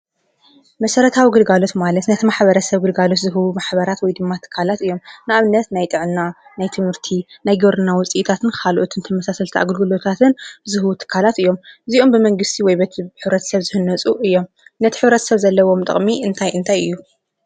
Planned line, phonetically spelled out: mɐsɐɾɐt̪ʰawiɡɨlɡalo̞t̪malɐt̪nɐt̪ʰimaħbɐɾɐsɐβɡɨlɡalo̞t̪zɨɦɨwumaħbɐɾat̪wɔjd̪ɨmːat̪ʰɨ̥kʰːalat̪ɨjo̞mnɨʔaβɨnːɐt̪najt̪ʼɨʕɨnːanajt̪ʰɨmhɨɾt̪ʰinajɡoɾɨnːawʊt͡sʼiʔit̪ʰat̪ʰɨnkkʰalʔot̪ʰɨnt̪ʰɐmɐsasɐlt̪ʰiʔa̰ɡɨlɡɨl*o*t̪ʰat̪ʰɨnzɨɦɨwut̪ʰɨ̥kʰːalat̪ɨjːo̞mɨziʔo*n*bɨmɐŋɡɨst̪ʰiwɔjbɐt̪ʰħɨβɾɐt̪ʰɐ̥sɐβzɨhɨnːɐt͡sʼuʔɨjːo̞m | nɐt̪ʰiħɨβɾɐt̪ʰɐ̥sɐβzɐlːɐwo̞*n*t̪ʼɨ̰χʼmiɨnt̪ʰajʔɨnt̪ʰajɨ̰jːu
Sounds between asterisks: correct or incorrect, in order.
correct, incorrect: m, incorrect: m

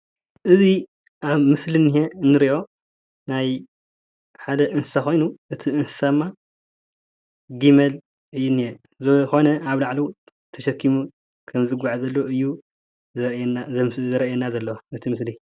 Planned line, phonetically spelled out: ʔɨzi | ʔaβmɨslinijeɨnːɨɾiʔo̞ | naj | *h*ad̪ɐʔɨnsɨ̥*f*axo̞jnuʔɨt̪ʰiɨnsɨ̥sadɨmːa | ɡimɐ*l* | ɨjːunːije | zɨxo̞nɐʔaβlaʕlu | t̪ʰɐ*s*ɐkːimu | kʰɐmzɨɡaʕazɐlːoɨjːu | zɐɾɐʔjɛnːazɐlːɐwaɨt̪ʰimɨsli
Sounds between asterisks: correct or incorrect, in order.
incorrect: ħ, incorrect: s, correct, incorrect: ʃ

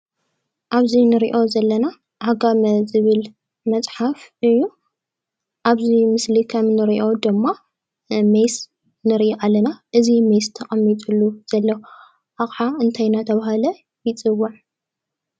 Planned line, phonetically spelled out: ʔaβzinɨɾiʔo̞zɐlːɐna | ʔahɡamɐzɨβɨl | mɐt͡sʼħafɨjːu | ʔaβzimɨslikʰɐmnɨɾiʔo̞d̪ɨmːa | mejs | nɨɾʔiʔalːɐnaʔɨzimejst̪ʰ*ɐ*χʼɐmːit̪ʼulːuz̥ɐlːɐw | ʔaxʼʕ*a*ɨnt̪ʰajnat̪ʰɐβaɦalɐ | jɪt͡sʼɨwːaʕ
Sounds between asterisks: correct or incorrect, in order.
correct, correct

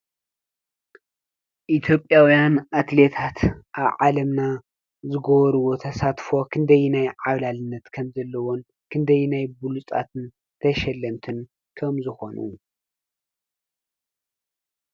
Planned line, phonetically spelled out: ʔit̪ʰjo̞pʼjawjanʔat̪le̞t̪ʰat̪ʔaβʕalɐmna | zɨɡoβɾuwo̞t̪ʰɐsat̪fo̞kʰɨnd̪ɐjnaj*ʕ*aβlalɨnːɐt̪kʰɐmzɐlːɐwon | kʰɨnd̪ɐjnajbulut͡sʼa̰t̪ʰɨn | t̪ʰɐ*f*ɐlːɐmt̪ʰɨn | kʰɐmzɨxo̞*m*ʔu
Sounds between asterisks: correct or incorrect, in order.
correct, incorrect: ʃ, incorrect: n

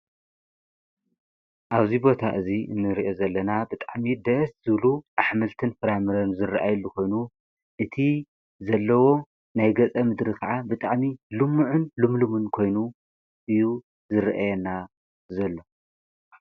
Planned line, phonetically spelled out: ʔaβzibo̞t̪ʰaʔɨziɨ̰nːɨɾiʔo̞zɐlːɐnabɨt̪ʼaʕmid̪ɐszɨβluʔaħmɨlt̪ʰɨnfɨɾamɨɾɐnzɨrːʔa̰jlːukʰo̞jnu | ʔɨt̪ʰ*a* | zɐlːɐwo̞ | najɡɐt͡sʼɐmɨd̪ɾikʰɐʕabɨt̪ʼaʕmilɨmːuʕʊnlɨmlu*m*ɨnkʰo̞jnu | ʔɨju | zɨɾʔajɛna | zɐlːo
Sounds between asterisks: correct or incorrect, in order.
incorrect: i, correct

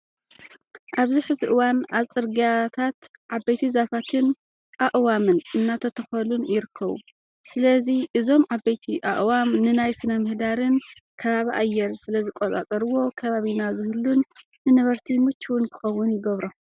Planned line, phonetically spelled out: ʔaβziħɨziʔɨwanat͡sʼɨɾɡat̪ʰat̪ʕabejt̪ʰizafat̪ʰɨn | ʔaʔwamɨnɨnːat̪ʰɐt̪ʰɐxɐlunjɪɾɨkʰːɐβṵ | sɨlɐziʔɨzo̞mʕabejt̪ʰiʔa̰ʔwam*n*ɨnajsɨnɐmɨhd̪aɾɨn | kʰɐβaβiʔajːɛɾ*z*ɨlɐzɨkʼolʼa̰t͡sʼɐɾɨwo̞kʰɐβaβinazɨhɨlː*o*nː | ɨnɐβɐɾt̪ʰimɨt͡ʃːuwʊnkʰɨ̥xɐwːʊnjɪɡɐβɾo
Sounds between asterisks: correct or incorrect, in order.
correct, incorrect: s, incorrect: u

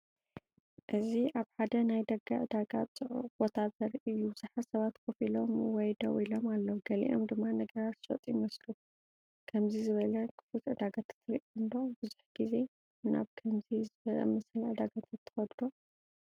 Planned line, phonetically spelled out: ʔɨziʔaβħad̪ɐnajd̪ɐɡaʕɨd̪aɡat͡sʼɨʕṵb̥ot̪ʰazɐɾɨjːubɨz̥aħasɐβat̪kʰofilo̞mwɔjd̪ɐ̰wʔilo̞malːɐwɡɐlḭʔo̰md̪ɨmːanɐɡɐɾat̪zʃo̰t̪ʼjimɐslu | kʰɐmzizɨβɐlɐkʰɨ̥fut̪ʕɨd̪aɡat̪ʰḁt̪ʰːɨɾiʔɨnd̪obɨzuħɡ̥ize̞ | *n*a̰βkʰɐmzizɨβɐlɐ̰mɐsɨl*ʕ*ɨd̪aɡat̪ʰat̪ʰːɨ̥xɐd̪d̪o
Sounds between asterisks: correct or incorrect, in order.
correct, correct

